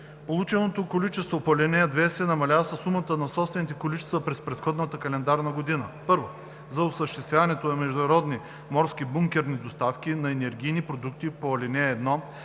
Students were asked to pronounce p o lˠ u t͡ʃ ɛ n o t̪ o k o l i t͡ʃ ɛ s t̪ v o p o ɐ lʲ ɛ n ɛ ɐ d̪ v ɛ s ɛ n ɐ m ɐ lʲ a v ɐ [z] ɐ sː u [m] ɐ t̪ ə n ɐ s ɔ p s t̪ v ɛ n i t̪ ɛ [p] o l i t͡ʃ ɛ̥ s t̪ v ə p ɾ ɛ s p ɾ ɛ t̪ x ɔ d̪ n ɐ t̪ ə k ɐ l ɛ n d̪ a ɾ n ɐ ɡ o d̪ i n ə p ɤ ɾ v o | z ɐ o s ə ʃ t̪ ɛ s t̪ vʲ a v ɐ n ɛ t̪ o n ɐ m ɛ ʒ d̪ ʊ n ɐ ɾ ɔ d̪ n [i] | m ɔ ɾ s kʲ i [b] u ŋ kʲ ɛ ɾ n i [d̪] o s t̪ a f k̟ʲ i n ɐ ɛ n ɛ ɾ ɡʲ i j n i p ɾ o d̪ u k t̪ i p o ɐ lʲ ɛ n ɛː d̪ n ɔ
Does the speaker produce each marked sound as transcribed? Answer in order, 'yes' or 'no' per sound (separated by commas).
no, yes, no, yes, yes, yes